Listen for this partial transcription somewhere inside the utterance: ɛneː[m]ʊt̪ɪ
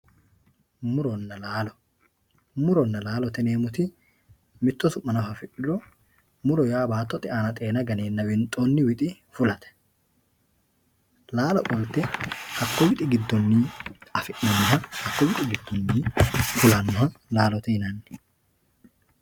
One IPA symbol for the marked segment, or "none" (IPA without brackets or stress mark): m